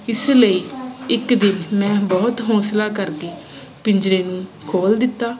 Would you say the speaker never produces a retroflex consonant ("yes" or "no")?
yes